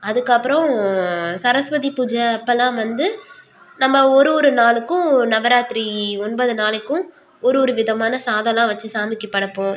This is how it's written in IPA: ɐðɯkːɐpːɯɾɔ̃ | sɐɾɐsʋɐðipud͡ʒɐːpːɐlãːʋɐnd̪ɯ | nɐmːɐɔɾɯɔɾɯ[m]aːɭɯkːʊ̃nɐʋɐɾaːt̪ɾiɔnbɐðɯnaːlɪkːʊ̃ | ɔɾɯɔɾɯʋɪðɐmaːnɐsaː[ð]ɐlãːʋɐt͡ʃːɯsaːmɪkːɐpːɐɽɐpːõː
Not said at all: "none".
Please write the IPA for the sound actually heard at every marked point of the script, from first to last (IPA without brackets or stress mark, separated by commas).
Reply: n, ð